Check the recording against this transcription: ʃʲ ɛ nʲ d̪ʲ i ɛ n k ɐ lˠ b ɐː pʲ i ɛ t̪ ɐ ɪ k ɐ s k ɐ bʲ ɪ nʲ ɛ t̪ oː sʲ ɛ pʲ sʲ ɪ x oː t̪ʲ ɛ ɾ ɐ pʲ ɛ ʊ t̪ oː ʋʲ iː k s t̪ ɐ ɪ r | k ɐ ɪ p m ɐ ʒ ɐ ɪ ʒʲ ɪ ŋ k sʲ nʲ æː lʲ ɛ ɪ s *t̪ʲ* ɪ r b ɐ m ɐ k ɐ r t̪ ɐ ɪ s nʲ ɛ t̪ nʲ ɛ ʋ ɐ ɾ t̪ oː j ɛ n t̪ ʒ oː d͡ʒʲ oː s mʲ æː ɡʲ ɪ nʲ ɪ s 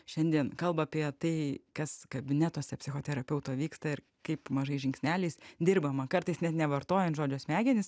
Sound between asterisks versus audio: incorrect: d̪ʲ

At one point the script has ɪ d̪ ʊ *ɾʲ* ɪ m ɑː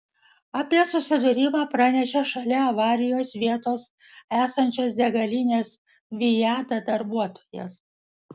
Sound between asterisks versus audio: correct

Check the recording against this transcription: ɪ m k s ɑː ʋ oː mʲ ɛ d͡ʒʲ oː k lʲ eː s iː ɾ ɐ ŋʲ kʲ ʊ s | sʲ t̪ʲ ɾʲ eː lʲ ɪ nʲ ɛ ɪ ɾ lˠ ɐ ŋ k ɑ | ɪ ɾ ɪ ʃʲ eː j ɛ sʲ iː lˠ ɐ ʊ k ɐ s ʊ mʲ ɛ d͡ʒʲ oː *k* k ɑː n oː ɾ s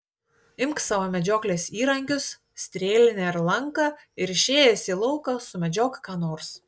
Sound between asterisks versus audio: correct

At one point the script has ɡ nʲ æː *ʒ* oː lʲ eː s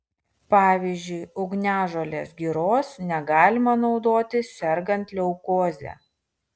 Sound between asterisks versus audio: correct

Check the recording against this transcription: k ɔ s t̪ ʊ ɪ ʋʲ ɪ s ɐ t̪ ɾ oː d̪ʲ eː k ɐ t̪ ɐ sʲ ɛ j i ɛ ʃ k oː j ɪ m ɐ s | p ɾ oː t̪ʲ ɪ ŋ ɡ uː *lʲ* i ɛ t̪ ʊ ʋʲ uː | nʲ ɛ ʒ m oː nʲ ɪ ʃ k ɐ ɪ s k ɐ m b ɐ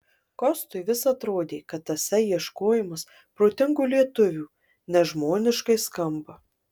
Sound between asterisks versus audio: correct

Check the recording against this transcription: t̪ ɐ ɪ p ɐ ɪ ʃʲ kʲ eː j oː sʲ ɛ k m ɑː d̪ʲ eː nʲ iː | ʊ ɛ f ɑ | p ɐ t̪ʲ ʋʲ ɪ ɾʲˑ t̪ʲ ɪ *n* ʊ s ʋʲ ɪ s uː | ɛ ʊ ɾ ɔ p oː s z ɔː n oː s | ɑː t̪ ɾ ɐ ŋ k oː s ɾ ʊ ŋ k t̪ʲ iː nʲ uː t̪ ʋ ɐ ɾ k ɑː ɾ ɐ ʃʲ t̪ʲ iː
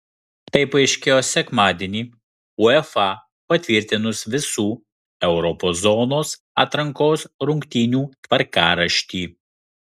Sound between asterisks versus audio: correct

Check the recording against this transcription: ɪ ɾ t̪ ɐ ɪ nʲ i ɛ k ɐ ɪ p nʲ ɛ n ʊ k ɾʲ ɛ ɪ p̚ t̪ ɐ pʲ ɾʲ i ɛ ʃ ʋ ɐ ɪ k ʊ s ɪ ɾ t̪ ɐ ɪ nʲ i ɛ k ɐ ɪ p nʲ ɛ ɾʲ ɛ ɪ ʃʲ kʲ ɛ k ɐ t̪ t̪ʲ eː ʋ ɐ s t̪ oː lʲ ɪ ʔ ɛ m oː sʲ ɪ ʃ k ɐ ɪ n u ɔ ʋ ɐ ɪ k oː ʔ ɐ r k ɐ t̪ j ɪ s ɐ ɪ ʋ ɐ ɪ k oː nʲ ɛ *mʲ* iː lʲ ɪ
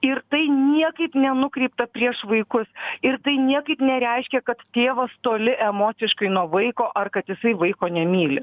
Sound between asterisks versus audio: correct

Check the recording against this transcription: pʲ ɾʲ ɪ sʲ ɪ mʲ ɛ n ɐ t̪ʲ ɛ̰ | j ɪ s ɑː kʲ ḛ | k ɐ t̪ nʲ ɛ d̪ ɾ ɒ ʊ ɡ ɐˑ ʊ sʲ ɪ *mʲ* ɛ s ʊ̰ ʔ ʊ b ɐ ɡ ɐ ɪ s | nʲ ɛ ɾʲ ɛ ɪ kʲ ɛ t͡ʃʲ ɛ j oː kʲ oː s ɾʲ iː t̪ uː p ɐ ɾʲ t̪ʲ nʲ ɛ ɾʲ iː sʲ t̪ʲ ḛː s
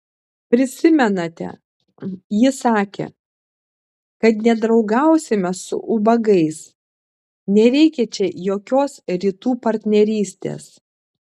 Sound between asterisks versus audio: correct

